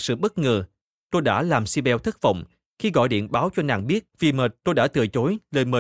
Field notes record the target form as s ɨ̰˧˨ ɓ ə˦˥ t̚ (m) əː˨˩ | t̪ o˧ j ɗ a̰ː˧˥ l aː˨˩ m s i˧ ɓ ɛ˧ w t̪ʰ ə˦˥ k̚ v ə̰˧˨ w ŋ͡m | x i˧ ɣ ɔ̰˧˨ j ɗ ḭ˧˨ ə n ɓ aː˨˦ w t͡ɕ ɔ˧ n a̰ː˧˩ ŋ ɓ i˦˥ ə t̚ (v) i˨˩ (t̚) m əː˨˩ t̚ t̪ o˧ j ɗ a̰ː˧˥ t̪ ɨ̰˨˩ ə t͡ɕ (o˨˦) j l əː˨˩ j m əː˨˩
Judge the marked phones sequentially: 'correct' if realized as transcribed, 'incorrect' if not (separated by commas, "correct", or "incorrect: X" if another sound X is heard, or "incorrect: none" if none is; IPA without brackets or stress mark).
incorrect: ŋ, correct, incorrect: none, correct